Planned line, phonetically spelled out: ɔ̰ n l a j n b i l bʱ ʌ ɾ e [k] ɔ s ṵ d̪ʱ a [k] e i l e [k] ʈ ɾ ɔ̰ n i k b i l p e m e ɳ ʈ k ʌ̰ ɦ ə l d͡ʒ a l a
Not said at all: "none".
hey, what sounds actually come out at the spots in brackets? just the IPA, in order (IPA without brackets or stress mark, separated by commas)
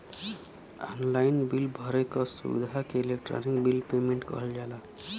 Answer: k, k, k